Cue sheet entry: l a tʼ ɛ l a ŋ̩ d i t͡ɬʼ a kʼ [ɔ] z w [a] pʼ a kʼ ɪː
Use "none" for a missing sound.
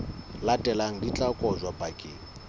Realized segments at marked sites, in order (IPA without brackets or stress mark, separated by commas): ɔ, a